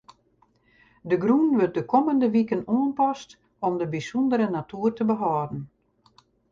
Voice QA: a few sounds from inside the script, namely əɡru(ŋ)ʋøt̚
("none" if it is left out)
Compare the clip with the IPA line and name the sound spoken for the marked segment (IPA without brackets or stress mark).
n